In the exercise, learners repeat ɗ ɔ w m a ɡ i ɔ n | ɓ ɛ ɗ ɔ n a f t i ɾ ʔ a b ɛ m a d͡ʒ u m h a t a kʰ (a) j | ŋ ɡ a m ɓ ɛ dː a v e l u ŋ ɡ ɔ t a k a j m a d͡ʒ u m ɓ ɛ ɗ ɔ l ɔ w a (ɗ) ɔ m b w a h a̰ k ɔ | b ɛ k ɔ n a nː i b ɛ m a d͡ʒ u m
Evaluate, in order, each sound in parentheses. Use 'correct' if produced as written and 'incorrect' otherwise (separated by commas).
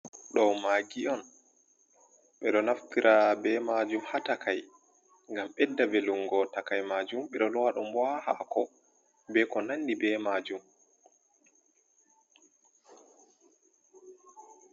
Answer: correct, correct